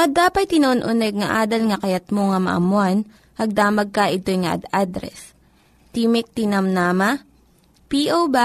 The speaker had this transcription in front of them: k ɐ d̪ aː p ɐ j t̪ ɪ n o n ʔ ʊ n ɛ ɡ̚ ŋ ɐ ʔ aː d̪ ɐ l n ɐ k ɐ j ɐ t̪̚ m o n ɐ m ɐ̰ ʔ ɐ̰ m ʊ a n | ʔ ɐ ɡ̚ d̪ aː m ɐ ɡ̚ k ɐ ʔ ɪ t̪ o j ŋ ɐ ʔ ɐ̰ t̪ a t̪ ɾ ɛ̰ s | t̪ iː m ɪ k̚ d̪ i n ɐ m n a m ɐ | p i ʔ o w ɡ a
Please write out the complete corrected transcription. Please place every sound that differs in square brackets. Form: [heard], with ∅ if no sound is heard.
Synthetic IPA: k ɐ d̪ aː p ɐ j t̪ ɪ n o n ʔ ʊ n ɛ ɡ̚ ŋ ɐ ʔ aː d̪ ɐ l [ŋ] ɐ k ɐ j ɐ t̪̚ m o [ŋ] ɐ m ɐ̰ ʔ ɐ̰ m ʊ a n | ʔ ɐ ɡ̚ d̪ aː m ɐ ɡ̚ k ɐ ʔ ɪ t̪ o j ŋ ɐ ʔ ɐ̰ [d̪] a [d̪] ɾ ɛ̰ s | t̪ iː m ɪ k̚ [t̪] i n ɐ m n a m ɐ | p i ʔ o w [b] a